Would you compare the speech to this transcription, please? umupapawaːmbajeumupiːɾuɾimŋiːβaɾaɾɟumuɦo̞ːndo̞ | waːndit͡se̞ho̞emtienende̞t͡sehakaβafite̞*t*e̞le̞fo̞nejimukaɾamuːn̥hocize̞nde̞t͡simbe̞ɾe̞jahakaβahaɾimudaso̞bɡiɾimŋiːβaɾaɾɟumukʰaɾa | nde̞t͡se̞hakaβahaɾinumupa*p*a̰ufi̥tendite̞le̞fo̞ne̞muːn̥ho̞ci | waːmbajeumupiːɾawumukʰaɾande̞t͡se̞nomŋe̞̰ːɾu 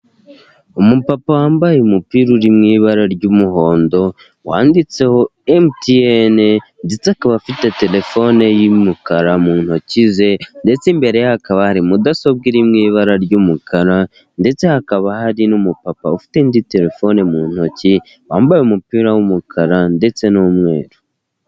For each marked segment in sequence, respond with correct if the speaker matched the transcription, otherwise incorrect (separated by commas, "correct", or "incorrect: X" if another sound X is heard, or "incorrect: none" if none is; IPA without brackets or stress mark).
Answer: correct, correct